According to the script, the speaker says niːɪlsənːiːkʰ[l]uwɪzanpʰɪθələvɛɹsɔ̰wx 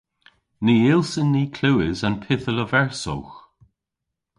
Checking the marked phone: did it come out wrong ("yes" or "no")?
no